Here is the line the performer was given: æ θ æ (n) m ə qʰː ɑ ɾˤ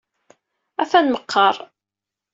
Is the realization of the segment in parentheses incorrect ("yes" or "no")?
no